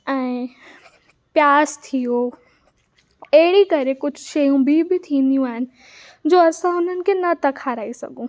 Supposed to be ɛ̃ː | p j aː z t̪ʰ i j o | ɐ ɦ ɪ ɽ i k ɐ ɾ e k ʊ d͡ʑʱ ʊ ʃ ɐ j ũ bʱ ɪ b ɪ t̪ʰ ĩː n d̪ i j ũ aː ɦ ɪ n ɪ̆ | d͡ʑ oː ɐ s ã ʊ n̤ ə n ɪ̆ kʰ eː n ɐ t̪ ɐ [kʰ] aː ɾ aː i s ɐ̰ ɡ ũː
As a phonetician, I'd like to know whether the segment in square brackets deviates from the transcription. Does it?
no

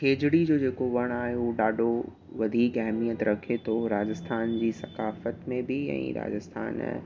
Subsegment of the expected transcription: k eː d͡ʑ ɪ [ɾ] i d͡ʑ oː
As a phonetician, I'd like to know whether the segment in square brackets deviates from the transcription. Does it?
yes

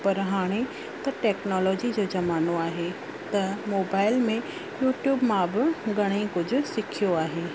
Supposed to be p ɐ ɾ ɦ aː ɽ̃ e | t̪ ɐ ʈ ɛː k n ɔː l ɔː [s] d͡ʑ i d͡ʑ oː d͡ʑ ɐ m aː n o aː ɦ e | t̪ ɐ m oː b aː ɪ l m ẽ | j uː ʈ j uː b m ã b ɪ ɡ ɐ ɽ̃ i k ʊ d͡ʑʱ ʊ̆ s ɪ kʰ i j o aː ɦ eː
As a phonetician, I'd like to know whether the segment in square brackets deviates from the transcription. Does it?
yes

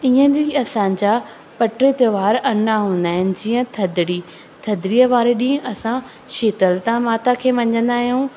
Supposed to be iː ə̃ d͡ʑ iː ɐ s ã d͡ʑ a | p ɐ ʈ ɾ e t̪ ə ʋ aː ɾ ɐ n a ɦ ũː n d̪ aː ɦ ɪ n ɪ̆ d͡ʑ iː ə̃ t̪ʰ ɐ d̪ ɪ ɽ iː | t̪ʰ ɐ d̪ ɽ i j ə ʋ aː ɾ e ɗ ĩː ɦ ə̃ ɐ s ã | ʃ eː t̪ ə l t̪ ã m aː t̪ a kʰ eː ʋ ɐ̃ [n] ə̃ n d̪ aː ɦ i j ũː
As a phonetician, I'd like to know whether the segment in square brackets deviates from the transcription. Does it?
yes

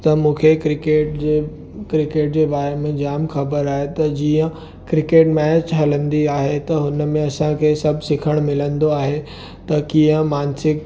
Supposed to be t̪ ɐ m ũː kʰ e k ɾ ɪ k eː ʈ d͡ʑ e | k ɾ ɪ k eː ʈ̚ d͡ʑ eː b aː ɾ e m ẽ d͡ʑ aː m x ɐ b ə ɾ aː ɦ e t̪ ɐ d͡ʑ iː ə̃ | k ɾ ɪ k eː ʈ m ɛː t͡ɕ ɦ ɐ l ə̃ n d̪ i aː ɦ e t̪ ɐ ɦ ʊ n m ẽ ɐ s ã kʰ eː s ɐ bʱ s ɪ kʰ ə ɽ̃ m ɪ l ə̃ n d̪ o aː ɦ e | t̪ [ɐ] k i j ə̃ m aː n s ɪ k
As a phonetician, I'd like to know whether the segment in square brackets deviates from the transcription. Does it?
no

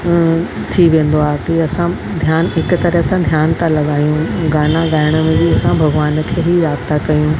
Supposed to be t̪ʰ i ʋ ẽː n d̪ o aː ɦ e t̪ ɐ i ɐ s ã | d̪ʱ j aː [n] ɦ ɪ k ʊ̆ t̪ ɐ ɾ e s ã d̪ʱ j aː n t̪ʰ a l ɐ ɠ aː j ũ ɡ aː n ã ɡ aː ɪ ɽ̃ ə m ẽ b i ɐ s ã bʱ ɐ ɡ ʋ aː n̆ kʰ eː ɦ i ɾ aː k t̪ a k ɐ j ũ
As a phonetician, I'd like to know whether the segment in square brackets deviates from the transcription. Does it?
no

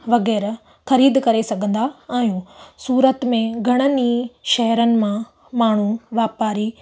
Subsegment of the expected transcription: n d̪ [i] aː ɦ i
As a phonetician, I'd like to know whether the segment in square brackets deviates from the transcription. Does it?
yes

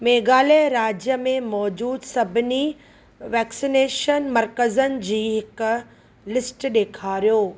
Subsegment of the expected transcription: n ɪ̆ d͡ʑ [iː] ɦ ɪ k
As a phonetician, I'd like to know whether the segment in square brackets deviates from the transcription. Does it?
no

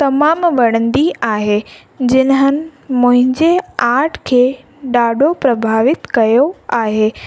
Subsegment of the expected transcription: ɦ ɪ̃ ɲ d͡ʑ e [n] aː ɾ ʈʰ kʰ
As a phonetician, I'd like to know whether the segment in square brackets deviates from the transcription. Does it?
yes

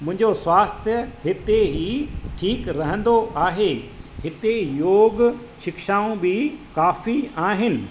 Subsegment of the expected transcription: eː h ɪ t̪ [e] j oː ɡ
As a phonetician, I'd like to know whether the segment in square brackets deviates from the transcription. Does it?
no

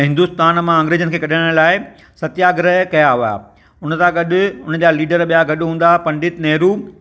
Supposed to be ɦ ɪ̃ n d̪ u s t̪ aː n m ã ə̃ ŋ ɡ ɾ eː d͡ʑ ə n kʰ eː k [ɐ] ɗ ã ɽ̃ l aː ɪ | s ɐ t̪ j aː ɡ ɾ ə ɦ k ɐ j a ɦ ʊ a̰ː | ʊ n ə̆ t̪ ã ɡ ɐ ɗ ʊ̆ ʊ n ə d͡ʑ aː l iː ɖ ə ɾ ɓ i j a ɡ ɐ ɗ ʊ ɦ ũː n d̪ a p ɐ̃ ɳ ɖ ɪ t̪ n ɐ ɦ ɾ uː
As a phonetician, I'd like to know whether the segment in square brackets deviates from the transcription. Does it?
no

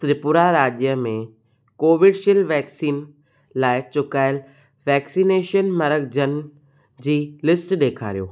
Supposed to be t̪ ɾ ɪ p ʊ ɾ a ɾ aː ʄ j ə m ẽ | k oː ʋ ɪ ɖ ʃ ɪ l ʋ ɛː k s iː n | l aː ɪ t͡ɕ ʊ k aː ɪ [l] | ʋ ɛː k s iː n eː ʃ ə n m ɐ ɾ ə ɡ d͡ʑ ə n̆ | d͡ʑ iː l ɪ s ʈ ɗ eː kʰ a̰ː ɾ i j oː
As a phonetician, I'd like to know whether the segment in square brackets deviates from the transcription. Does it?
no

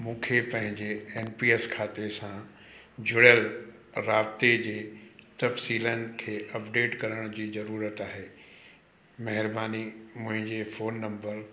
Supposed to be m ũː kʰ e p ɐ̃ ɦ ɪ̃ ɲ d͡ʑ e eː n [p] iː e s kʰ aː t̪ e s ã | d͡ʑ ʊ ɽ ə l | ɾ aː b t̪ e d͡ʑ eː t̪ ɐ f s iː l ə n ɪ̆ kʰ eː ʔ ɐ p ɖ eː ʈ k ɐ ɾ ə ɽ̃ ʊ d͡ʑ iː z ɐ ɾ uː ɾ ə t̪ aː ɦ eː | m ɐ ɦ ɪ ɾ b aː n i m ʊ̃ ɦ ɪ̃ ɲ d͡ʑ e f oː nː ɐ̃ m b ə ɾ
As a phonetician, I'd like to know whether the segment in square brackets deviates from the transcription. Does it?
no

